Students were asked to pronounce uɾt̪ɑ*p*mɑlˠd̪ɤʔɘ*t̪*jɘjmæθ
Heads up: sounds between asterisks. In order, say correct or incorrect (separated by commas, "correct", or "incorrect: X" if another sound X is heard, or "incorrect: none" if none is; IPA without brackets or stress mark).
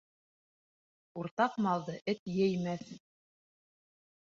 incorrect: q, correct